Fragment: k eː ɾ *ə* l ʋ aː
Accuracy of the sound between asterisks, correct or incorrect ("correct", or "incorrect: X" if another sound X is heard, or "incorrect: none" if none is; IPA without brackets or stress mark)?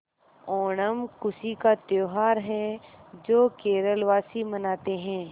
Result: correct